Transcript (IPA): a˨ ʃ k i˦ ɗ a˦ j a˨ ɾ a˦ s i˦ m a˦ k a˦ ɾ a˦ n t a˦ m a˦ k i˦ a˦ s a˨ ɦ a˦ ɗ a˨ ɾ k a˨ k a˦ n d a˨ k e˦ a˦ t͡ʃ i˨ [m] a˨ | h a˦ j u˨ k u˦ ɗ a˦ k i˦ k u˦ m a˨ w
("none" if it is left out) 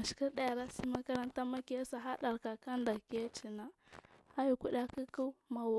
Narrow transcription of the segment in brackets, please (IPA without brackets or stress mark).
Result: n